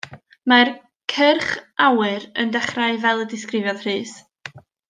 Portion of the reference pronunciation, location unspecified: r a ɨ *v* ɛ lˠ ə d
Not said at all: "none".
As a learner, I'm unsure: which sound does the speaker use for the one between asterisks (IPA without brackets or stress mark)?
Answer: v